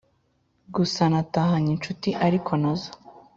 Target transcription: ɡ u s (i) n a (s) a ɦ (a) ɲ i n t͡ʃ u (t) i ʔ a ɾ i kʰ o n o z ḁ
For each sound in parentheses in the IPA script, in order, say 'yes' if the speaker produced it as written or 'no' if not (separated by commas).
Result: no, no, yes, yes